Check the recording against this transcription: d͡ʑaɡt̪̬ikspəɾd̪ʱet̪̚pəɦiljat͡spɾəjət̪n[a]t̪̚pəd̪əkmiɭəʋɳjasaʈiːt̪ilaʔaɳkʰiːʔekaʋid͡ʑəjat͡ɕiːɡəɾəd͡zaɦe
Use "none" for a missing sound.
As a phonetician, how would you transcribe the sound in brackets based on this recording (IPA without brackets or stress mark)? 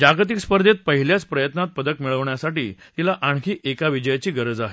a